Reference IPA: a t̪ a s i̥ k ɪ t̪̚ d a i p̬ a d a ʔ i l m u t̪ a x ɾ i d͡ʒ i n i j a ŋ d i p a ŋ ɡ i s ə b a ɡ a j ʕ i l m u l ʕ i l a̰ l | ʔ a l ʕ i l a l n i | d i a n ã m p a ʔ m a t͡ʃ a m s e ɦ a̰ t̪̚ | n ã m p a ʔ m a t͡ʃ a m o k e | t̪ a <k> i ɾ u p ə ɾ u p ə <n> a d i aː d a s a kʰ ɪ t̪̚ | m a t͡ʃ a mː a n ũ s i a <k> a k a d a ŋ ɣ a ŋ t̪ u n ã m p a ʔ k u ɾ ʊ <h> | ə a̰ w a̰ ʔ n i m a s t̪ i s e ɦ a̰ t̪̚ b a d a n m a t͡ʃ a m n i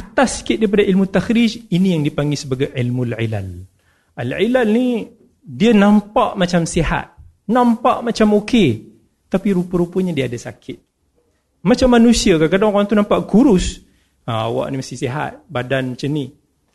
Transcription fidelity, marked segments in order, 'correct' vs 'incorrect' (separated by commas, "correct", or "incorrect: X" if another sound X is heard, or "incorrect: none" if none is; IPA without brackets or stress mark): incorrect: p, incorrect: ɲ, correct, incorrect: s